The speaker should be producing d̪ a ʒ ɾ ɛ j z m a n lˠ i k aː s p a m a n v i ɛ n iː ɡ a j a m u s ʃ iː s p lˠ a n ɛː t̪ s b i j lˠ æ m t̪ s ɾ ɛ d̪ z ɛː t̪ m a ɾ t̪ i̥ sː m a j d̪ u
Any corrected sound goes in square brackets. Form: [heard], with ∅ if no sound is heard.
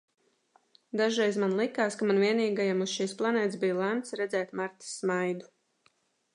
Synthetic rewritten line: d̪ a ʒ ɾ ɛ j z m a n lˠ i k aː s [k] a m a n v i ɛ n iː ɡ a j a m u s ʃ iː s p lˠ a n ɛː t̪ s b i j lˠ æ m t̪ s ɾ ɛ d̪ z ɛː t̪ m a ɾ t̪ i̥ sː m a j d̪ u